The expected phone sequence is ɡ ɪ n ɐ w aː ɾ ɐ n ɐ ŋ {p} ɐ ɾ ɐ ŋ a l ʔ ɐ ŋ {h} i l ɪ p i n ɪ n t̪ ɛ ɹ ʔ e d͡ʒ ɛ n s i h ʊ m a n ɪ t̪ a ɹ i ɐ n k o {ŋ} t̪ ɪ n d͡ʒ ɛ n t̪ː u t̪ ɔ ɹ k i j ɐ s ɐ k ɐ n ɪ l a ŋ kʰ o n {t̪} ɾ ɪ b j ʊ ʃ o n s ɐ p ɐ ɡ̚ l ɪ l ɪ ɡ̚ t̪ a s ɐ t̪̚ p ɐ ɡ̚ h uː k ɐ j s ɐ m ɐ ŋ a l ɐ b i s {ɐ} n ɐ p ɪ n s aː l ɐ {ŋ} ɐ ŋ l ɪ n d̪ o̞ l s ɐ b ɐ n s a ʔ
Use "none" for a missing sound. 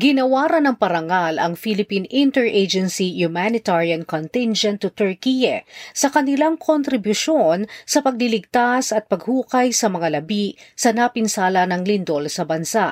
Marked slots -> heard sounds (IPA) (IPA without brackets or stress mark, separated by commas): p, f, n, t̪, ɐ, n